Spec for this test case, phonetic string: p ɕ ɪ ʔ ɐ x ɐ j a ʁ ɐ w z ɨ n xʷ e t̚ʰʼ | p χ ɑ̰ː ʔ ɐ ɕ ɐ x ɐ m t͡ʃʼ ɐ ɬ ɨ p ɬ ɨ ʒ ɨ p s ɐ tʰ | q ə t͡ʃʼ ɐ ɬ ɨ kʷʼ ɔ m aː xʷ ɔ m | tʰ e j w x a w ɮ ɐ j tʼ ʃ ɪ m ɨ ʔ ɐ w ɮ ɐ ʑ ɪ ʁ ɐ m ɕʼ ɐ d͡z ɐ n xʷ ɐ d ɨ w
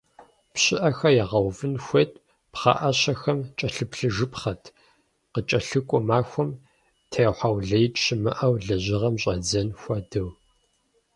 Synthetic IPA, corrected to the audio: p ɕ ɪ ʔ ɐ x ɐ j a ʁ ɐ w v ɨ n xʷ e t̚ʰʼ | p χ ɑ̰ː ʔ ɐ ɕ ɐ x ɐ m t͡ʃʼ ɐ ɬ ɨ p ɬ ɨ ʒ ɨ p χ ɐ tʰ | q ə t͡ʃʼ ɐ ɬ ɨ kʷʼ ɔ m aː xʷ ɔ m | tʰ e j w ħ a w ɮ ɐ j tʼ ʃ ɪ m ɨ ʔ ɐ w ɮ ɐ ʑ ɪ ʁ ɐ m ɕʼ ɐ d͡z ɐ n xʷ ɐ d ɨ w